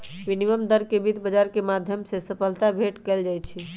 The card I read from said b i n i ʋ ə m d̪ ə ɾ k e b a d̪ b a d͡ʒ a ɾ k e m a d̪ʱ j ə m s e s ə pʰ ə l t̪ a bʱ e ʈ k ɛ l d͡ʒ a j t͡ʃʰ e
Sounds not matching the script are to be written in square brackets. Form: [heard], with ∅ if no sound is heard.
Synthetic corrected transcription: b i n i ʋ ə m d̪ ə ɾ k e b [i] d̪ b [ə] d͡ʒ a ɾ k e m a d̪ʱ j ə m s e s ə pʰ ə l t̪ a bʱ e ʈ k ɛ l d͡ʒ a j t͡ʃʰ [i]